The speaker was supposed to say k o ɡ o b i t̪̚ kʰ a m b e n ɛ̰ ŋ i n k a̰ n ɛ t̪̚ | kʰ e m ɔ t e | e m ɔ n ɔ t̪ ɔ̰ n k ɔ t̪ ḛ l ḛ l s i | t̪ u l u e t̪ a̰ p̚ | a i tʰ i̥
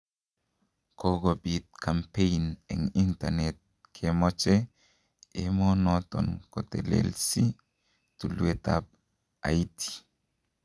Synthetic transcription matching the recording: k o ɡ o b i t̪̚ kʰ a m p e n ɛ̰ ŋ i n t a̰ n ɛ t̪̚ | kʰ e m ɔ t͡ʃ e | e m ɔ n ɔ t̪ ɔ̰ n k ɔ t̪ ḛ l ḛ l s i | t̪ u l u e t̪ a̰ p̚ | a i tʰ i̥